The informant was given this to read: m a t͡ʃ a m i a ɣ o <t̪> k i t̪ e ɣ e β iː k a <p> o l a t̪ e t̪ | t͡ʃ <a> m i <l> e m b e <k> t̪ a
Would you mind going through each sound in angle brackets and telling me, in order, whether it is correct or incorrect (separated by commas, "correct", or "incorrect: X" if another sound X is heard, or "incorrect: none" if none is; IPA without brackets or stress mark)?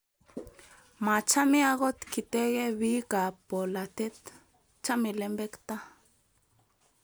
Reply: correct, correct, correct, correct, correct